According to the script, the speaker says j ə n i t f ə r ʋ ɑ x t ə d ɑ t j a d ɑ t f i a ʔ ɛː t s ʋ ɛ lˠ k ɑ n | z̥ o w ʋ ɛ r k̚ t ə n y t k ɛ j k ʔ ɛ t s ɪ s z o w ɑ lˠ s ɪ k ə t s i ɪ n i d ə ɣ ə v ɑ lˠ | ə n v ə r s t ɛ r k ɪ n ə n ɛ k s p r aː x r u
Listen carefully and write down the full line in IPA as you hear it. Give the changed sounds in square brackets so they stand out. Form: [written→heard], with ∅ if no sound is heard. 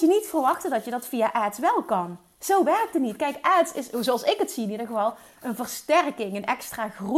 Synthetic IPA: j ə n i t f ə r ʋ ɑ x t ə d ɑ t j [a→ə] d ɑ t f i a ʔ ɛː t s ʋ ɛ lˠ k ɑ n | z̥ o w ʋ ɛ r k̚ t ə n [y→i] t k ɛ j k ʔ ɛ t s ɪ s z o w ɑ lˠ s ɪ k ə t s i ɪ n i d ə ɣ ə v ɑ lˠ | ə n v ə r s t ɛ r k ɪ [n→ŋ] ə n ɛ k s [p→t] r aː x r u